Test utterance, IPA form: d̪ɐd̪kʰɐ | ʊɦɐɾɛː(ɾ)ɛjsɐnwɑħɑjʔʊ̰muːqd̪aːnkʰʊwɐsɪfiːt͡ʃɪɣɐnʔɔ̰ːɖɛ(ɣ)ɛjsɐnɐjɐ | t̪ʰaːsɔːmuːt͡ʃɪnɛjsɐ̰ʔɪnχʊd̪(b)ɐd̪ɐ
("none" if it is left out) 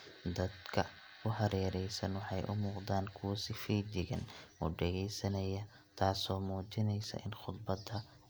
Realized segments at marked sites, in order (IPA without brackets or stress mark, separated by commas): ɾ, ɣ, b